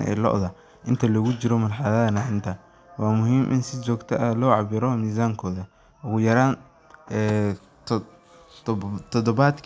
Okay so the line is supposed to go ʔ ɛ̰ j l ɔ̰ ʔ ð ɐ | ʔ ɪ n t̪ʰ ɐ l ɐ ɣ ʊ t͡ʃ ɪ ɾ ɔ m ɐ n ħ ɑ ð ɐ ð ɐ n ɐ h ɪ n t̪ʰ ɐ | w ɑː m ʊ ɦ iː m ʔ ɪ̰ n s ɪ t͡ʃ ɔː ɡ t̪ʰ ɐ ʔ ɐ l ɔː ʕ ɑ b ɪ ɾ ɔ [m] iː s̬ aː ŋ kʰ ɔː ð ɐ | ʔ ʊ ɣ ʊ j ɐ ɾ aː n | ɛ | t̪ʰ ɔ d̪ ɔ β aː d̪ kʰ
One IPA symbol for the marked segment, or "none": m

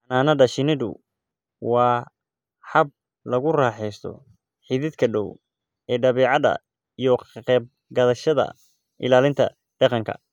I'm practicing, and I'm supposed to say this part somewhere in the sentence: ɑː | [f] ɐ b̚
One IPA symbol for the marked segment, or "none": ħ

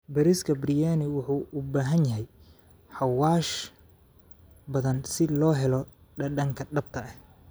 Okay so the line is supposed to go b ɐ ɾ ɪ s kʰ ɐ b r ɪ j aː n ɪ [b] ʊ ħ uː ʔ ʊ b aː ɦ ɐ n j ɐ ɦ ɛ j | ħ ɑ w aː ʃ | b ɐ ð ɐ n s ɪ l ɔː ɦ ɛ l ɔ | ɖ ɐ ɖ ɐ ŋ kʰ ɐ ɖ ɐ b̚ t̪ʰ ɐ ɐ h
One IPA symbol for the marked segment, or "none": w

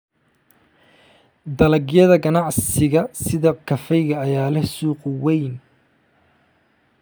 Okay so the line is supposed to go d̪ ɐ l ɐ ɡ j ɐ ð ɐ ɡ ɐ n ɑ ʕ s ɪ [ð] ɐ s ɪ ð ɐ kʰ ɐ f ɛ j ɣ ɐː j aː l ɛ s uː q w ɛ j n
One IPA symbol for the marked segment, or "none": ɣ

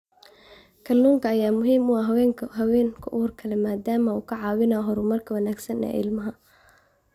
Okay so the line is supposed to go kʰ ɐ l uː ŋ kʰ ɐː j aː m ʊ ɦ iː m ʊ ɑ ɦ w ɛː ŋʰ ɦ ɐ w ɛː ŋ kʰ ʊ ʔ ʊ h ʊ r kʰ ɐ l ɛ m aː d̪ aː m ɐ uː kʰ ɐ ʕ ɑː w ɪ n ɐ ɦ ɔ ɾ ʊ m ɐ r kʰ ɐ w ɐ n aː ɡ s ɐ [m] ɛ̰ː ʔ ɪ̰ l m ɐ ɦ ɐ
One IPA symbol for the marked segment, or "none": n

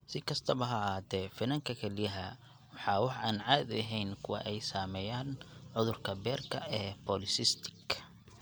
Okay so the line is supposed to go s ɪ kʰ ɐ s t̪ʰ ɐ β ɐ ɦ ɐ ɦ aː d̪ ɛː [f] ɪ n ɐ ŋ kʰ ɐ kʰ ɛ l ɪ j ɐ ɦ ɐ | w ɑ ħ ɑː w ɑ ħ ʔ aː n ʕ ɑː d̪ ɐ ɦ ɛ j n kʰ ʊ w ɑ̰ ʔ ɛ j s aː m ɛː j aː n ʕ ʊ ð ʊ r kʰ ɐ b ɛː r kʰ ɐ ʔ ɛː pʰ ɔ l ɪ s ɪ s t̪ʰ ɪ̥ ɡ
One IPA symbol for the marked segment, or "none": f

